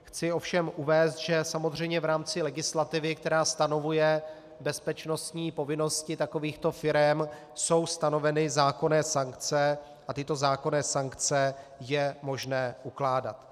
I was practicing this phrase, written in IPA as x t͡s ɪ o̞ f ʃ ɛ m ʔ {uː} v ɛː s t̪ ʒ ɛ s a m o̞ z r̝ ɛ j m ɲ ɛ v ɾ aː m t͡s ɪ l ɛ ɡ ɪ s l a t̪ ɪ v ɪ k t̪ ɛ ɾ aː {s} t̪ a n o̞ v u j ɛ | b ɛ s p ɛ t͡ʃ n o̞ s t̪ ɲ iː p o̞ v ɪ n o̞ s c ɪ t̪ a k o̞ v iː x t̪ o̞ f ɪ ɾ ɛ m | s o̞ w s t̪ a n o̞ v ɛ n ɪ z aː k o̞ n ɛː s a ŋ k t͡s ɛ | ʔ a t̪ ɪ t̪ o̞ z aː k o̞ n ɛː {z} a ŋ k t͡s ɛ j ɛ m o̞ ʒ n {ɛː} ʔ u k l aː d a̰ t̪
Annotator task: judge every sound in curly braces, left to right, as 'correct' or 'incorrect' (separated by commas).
incorrect, correct, incorrect, correct